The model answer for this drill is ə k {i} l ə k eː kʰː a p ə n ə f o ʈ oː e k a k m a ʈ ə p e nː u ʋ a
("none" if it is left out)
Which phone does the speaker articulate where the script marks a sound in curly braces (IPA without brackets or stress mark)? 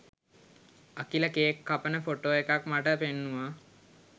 i